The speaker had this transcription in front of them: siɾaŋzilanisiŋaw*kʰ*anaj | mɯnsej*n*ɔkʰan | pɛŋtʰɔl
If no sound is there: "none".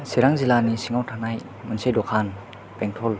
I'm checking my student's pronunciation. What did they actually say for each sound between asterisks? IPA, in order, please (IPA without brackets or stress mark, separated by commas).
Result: tʰ, d